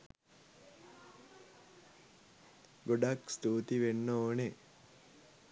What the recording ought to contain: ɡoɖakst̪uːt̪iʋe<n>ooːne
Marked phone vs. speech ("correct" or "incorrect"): incorrect